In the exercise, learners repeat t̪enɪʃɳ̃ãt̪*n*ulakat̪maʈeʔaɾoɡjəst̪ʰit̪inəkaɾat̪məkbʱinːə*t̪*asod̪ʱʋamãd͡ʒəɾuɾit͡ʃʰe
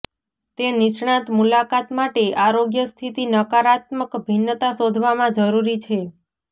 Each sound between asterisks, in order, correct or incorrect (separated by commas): incorrect, correct